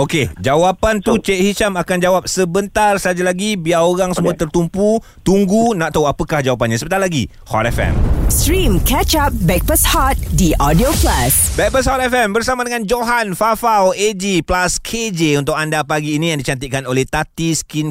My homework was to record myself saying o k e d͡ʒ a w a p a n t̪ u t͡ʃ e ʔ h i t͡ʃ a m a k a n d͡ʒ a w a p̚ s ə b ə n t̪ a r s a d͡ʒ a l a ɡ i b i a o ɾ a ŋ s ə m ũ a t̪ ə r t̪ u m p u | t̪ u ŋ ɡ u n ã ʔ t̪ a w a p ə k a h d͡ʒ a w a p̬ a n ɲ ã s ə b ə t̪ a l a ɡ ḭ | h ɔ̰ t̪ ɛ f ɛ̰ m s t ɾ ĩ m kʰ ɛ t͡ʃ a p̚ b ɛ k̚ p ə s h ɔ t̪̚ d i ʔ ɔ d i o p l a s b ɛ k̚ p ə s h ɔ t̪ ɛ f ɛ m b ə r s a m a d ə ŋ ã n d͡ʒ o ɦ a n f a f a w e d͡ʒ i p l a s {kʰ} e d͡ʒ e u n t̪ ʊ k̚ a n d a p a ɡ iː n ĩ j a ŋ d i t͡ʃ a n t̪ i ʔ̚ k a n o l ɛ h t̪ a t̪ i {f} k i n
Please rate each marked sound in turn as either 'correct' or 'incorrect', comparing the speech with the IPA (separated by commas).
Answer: correct, incorrect